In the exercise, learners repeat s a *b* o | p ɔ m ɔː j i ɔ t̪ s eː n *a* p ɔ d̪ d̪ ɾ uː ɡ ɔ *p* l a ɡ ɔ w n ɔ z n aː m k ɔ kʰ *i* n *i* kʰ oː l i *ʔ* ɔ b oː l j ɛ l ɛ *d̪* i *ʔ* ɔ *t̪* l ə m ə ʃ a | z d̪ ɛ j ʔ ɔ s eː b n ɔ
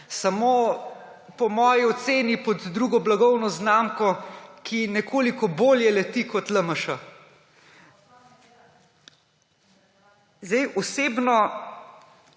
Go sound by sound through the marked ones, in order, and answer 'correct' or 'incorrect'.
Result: incorrect: m, incorrect: i, incorrect: b, correct, incorrect: ɛ, incorrect: k, incorrect: t̪, incorrect: k, correct

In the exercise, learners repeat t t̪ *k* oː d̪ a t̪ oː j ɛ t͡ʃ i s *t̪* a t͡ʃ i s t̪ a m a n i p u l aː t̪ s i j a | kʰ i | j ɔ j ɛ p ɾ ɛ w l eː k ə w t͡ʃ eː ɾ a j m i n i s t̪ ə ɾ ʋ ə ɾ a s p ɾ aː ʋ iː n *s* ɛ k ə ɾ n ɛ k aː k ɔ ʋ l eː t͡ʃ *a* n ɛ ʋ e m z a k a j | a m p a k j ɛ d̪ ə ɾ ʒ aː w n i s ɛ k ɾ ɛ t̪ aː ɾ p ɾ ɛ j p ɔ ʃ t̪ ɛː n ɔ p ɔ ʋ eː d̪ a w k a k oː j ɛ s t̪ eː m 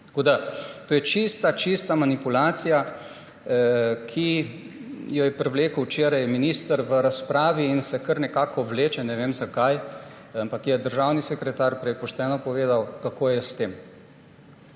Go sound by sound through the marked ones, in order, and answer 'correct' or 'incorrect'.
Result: correct, correct, correct, incorrect: ɛ

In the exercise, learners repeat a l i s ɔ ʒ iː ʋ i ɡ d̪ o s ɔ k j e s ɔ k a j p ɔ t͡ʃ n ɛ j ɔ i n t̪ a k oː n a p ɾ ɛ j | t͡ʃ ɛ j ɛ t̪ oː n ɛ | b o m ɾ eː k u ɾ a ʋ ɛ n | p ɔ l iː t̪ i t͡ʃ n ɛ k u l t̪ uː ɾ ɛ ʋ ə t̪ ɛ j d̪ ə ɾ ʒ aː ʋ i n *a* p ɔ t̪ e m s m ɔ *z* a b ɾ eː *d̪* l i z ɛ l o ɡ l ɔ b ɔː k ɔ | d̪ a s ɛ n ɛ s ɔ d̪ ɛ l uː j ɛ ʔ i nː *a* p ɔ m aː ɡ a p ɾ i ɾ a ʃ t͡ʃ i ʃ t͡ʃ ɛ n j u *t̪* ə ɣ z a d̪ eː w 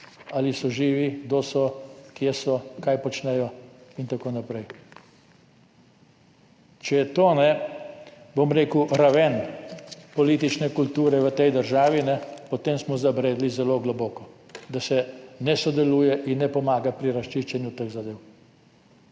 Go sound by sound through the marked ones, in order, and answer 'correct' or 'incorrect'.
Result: incorrect: ɛ, correct, correct, incorrect: ɛ, correct

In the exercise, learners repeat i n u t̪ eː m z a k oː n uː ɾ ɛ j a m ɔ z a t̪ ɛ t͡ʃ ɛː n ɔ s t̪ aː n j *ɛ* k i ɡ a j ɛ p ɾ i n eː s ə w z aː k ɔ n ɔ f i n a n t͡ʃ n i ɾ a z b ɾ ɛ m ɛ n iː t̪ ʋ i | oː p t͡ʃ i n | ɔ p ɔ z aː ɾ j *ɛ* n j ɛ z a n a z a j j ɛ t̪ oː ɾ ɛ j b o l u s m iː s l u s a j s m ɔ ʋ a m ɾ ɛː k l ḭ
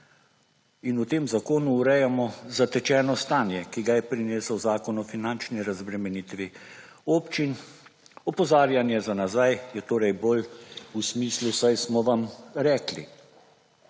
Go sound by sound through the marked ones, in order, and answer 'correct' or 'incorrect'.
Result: correct, incorrect: a

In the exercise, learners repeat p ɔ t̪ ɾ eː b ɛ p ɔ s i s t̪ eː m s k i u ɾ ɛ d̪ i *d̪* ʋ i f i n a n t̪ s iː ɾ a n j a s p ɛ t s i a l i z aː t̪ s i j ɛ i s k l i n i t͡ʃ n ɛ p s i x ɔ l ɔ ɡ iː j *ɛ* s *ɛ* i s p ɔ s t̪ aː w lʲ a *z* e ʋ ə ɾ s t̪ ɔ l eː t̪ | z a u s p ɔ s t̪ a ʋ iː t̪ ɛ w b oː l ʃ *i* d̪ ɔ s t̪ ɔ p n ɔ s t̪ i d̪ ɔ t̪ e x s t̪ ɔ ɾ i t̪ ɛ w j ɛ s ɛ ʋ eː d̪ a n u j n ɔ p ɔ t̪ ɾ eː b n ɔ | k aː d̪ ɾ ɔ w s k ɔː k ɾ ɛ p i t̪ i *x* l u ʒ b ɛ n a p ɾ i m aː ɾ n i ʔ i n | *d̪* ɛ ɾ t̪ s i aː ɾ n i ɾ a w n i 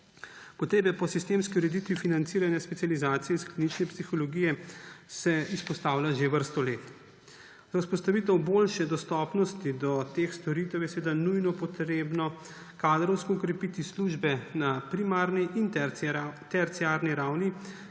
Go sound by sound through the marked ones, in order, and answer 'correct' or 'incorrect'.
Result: incorrect: t̪, correct, correct, incorrect: ʒ, incorrect: ɛ, incorrect: s, incorrect: t̪

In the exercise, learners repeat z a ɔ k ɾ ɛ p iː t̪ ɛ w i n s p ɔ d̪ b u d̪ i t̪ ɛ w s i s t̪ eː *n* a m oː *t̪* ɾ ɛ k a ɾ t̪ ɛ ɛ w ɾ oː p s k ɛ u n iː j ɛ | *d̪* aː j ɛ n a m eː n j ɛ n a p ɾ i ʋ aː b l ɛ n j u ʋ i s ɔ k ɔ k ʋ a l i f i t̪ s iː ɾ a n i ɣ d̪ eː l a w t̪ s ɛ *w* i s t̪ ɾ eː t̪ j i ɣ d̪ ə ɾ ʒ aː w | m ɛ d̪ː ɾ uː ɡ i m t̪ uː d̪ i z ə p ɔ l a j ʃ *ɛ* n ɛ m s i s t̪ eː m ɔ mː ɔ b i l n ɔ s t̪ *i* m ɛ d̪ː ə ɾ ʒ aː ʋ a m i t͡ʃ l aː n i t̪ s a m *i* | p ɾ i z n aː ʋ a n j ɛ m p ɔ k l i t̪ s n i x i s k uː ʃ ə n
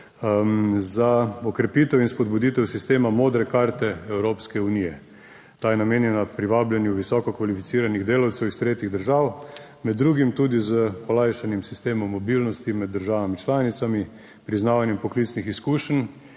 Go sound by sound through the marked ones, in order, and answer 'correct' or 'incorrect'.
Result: incorrect: m, incorrect: d̪, incorrect: t̪, correct, incorrect: a, correct, correct

